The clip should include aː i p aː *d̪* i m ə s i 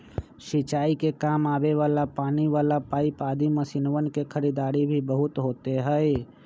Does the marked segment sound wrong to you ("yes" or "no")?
no